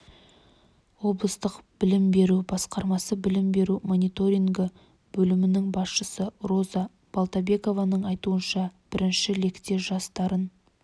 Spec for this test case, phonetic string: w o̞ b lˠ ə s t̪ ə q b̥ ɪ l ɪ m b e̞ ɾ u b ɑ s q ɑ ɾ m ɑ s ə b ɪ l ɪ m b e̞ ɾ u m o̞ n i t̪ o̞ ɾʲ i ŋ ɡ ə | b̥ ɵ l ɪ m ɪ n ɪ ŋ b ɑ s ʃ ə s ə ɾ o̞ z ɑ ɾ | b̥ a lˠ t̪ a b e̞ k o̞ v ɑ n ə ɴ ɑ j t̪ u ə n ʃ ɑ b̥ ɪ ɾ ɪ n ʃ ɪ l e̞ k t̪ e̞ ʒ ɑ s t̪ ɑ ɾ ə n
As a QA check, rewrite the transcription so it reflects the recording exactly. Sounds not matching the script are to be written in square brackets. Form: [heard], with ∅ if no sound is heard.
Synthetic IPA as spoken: w o̞ b lˠ ə s t̪ ə q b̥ ɪ l ɪ m b e̞ ɾ u b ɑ s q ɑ ɾ m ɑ s ə b ɪ l ɪ m b e̞ ɾ u m o̞ n i t̪ o̞ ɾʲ i ŋ ɡ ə | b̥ ɵ l ɪ m ɪ n ɪ ŋ b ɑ s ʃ ə s ə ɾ o̞ z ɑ [∅] | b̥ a lˠ t̪ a b e̞ k o̞ v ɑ n ə ɴ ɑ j t̪ u ə n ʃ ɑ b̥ ɪ ɾ ɪ n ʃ ɪ l e̞ k t̪ e̞ ʒ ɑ s t̪ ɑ ɾ ə n

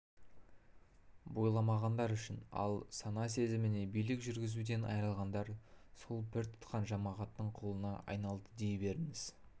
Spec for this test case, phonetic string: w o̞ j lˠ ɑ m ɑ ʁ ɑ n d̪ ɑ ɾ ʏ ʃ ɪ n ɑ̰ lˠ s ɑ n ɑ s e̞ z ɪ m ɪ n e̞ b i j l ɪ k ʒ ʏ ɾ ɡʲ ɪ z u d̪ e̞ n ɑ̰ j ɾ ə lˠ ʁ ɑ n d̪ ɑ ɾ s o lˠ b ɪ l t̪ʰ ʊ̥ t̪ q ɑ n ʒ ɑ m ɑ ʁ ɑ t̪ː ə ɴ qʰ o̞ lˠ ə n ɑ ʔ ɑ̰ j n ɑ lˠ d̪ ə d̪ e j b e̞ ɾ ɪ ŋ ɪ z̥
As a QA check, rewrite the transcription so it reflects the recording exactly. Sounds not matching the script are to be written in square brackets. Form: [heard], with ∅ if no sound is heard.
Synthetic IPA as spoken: [b] o̞ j lˠ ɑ m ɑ ʁ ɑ n d̪ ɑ ɾ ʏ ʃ ɪ n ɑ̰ lˠ s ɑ n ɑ s e̞ z ɪ m ɪ n e̞ b i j l ɪ k ʒ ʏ ɾ ɡʲ ɪ z u d̪ e̞ n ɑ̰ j ɾ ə lˠ ʁ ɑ n d̪ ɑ ɾ s o lˠ b ɪ [ɾ] t̪ʰ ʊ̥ t̪ q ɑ n ʒ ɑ m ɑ ʁ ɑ t̪ː ə ɴ qʰ o̞ lˠ ə n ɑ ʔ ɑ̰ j n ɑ lˠ d̪ ə d̪ e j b e̞ ɾ ɪ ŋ ɪ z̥

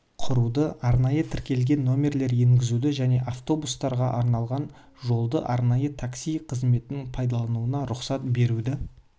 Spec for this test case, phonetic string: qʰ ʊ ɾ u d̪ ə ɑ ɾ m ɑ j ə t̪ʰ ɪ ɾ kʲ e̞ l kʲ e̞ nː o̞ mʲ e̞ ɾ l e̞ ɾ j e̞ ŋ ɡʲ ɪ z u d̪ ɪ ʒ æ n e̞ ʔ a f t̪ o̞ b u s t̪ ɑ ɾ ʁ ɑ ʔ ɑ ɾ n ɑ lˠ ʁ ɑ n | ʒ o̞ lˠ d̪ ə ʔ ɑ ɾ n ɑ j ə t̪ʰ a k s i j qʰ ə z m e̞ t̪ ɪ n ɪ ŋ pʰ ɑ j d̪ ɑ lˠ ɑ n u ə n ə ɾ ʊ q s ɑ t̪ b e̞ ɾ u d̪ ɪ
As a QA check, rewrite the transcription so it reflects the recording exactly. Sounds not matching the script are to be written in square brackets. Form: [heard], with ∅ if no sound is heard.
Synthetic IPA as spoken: qʰ ʊ ɾ u d̪ ə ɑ ɾ [n] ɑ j ə t̪ʰ ɪ ɾ kʲ e̞ l [ɡʲ] e̞ nː o̞ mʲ e̞ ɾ l e̞ ɾ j e̞ ŋ ɡʲ ɪ z u d̪ ɪ ʒ æ n e̞ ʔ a f t̪ o̞ b u s t̪ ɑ ɾ ʁ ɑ ʔ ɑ ɾ n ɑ lˠ ʁ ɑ n | ʒ o̞ lˠ d̪ ə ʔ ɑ ɾ n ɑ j ə t̪ʰ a k s i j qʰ ə z m e̞ t̪ ɪ n ɪ ŋ pʰ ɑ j d̪ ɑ lˠ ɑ n u ə n [ɑ] ɾ ʊ q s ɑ t̪ b e̞ ɾ u d̪ ɪ

